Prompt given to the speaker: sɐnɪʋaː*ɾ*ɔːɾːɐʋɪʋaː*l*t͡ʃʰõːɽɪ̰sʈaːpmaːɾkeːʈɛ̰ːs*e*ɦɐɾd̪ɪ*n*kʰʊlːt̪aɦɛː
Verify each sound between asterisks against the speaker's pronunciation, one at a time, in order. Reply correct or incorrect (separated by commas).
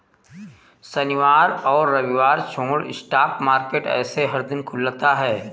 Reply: correct, incorrect, correct, correct